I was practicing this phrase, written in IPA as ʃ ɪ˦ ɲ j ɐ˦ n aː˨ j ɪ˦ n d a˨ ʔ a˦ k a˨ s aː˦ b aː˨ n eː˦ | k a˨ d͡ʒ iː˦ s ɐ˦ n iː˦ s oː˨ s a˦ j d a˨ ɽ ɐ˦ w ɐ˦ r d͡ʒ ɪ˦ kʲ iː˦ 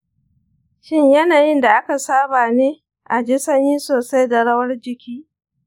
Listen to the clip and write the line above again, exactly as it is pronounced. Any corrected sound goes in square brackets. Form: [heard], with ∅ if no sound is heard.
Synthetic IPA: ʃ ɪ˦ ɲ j ɐ˦ n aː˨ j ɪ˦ n d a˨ ʔ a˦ k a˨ s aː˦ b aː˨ n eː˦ | [ʔ] a˨ d͡ʒ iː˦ s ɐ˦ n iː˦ s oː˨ s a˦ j d a˨ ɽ ɐ˦ w ɐ˦ r d͡ʒ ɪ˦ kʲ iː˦